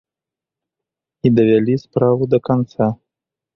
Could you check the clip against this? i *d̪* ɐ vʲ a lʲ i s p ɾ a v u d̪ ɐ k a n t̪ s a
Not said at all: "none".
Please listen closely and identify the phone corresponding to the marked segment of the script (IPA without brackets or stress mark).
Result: d̪